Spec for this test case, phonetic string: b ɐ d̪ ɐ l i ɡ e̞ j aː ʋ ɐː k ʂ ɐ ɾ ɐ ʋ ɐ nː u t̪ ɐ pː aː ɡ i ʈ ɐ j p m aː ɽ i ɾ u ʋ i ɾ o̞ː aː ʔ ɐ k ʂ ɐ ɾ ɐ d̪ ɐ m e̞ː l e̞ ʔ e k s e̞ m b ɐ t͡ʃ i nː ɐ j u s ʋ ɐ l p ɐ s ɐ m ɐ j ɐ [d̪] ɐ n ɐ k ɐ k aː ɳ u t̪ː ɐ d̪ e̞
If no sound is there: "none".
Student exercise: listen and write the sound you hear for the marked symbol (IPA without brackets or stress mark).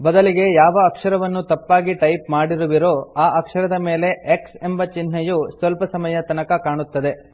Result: t̪